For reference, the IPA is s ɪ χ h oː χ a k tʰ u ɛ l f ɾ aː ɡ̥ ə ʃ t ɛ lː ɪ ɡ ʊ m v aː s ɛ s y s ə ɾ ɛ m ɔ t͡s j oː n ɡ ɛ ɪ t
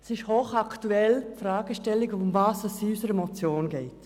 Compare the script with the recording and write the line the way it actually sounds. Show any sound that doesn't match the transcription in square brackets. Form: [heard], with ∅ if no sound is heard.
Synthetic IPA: s ɪ [ʃ] h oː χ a k [t] u ɛ l f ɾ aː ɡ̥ ə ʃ t ɛ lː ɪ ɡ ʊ m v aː s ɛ s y s ə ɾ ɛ m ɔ t͡s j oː n ɡ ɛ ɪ t